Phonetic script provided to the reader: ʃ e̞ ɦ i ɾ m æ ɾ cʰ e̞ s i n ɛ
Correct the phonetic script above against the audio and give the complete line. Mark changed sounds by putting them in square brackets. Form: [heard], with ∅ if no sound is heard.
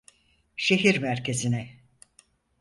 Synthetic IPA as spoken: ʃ e̞ ɦ i ɾ m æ ɾ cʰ e̞ [z] i n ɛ